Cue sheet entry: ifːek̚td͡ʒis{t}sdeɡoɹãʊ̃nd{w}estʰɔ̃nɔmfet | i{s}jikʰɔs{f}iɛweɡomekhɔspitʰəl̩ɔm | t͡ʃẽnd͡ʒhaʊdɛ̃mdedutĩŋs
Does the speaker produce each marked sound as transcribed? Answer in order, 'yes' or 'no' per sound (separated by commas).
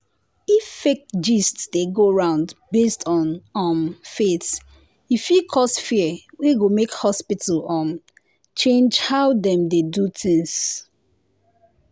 yes, no, no, yes